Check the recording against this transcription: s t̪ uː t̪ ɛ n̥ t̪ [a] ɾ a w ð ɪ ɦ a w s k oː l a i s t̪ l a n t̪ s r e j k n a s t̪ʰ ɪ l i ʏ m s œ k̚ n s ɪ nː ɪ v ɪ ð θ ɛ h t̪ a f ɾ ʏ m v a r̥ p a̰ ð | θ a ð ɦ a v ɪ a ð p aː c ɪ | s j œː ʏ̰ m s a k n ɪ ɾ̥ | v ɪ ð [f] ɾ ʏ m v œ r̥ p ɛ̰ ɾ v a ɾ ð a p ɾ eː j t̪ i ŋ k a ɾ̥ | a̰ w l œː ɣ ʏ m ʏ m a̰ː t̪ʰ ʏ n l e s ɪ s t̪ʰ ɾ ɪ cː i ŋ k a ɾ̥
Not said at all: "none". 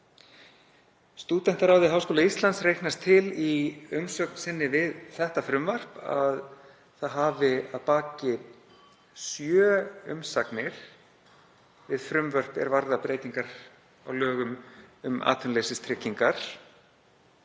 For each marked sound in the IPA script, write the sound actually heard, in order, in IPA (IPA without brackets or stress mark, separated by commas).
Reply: a, f